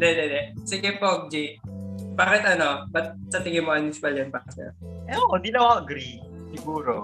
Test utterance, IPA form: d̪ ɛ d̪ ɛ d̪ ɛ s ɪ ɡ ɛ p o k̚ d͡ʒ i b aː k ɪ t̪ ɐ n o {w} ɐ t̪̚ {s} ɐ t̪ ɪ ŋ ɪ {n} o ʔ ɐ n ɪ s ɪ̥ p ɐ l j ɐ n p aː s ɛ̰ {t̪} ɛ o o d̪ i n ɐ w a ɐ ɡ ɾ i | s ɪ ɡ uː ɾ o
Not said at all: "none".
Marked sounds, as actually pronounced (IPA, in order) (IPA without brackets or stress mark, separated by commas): b, s, m, none